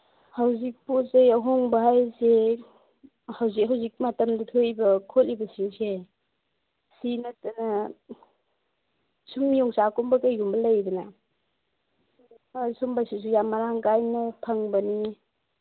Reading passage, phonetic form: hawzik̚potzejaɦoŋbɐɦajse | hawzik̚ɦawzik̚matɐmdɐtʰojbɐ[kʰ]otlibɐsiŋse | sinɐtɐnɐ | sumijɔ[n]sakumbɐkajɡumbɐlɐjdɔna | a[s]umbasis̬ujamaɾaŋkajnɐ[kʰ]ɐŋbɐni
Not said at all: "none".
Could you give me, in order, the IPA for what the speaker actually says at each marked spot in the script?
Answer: kʰ, ŋ, s, pʰ

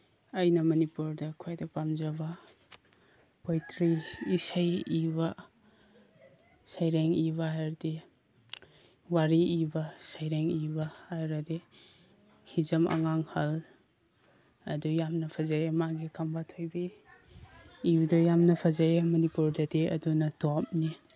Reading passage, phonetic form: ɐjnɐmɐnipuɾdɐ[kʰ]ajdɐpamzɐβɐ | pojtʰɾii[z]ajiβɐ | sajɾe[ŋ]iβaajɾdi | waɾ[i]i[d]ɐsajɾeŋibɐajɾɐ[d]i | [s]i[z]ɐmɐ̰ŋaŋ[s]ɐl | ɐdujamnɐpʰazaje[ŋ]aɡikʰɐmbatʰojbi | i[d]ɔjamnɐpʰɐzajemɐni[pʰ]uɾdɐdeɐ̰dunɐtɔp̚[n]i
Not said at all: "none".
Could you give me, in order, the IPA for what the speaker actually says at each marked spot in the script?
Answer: kʰ, s, ŋ, i, b, d, h, z, h, m, d, p, n

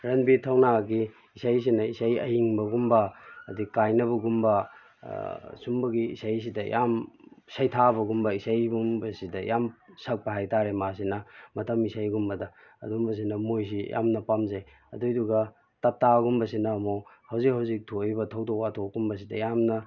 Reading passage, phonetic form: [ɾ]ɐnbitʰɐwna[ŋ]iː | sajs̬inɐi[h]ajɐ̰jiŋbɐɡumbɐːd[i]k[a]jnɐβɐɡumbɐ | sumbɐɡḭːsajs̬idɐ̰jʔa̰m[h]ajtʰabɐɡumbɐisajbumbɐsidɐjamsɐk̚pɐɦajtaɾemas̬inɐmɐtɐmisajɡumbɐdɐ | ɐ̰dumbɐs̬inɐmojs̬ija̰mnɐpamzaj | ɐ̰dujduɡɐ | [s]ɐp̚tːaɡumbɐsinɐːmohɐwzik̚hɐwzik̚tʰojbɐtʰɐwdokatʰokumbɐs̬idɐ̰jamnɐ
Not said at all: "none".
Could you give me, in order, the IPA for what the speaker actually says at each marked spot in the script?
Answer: ɾ, ɡ, s, i, a, s, t

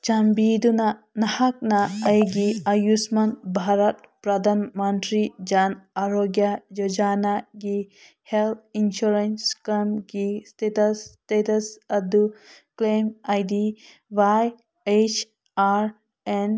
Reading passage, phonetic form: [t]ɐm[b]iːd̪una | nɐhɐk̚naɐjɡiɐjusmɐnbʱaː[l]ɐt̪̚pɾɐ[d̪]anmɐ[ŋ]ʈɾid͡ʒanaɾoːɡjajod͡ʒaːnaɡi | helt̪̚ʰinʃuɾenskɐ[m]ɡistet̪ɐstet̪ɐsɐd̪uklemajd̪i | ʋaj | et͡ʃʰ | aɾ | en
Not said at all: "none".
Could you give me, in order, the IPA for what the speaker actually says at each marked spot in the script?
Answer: t͡ʃ, b, ɾ, d̪, n, m

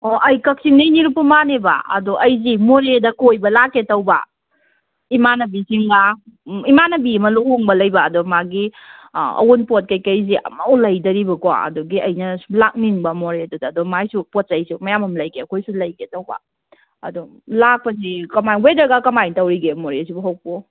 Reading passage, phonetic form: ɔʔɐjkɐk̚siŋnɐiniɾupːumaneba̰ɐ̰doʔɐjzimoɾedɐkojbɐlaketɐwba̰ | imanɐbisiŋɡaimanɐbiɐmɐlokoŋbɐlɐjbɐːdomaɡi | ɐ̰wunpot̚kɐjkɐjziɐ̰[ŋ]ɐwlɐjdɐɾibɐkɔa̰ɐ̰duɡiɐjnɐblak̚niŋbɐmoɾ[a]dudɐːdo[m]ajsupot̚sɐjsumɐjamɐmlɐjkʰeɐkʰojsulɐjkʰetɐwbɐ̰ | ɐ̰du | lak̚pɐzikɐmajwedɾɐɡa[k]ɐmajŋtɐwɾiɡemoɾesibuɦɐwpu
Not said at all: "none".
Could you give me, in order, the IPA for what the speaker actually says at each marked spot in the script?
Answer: m, e, m, k

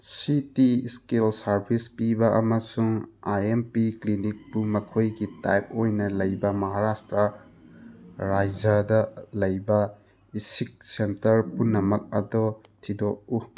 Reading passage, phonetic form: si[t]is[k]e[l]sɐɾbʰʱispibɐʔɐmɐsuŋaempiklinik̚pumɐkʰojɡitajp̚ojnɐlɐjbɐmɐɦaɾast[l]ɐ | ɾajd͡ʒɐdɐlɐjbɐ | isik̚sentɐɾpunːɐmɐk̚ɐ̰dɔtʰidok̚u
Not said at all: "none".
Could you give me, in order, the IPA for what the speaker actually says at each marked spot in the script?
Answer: t, k, l, ɾ

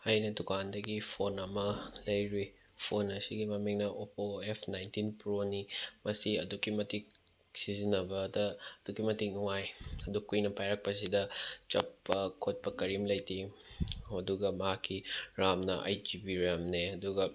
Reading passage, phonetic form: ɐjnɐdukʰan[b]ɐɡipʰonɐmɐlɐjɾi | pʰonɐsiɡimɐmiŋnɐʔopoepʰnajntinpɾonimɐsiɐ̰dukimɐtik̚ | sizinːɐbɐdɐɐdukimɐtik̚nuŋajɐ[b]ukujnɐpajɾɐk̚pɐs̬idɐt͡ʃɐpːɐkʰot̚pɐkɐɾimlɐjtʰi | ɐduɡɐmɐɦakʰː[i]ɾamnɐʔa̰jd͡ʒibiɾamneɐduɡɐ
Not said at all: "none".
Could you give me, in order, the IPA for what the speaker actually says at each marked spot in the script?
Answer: d, d, i

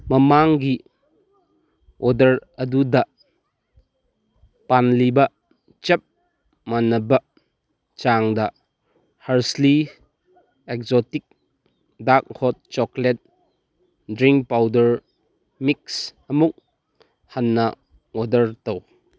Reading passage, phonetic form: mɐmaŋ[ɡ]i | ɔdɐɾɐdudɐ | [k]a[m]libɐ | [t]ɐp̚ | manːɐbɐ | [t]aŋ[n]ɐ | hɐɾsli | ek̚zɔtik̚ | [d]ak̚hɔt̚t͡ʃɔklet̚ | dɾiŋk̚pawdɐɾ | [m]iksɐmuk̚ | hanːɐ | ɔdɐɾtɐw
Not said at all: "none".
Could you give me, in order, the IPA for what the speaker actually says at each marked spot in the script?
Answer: ɡ, p, n, t͡ʃ, t͡ʃ, d, d, m

